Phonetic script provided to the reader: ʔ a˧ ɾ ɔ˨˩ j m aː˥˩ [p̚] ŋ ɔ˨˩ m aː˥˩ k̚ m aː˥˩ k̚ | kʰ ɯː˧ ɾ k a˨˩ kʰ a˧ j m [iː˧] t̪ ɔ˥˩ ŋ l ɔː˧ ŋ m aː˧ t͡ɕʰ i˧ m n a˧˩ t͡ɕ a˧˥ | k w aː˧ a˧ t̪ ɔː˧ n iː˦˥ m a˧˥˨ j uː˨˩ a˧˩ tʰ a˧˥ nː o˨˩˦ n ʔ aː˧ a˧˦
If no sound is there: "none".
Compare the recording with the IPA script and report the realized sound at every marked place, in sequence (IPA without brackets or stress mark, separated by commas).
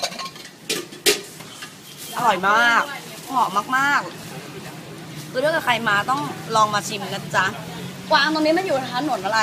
k̚, aː˧